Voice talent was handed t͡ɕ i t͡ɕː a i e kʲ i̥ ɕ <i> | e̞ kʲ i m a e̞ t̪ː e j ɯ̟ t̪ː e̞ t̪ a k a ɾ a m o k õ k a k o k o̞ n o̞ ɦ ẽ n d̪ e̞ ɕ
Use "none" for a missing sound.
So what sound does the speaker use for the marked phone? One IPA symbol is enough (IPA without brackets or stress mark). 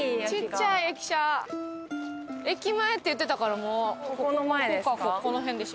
a